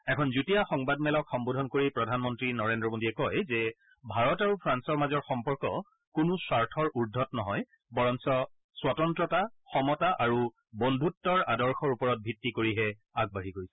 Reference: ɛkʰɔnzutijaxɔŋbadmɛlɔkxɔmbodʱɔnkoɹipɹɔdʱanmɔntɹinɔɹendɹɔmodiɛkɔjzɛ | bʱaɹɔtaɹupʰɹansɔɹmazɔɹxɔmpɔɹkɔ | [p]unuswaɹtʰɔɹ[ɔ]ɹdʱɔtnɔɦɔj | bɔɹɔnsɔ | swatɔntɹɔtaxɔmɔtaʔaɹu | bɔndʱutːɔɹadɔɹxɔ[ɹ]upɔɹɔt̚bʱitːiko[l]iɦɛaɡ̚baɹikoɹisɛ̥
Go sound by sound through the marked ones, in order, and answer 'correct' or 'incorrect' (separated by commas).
incorrect, incorrect, correct, incorrect